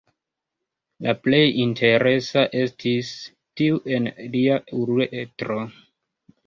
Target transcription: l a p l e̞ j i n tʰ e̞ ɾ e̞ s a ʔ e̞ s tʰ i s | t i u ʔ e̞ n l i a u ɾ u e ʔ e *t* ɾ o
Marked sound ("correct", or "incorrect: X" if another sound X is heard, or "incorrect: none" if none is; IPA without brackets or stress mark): correct